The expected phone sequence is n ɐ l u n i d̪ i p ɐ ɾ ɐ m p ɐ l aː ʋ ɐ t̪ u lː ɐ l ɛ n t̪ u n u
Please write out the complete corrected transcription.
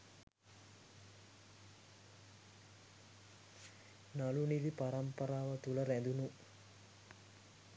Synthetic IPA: n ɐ l u n i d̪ i p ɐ ɾ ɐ m p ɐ ɾ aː ʋ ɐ t̪ u l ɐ ɾ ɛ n d̪ u n u